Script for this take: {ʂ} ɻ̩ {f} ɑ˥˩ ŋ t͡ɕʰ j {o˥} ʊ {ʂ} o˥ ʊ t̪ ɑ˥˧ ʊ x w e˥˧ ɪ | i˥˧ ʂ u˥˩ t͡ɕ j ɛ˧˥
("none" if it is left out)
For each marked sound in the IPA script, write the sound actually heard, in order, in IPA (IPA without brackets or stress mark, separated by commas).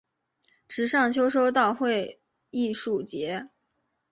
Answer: ʈ͡ʂ, ʂ, o˥, ʂ